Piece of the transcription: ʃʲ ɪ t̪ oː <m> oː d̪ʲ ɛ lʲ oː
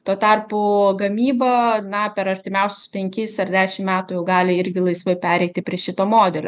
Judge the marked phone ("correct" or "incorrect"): correct